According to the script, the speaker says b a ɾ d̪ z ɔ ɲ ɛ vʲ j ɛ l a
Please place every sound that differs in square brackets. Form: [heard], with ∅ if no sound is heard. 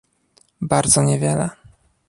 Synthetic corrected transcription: b a ɾ d̪ z ɔ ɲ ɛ vʲ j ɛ l [ɛ]